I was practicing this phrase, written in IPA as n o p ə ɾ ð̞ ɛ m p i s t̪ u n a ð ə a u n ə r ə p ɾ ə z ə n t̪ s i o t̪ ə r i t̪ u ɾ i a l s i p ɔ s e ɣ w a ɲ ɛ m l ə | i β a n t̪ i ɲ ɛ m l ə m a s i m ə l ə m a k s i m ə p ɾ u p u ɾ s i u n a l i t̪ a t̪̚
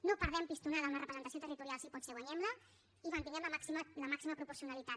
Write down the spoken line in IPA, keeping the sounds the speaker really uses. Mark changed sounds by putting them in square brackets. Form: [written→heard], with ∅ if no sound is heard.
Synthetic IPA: n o p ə ɾ ð̞ ɛ m p i s t̪ u n a ð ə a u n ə r ə p ɾ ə z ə n t̪ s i o t̪ ə r i t̪ u ɾ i a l s i p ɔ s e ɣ w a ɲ ɛ m l ə | i β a n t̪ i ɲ ɛ m l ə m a s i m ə l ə m a k s i m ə p ɾ u p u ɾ s i u n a l i t̪ a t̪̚